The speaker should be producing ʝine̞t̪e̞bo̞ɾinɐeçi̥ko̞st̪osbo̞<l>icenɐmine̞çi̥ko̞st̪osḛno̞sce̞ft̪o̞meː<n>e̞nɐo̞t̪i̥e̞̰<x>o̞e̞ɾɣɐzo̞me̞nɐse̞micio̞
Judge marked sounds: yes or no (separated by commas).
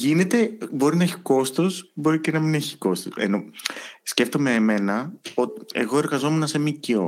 no, no, no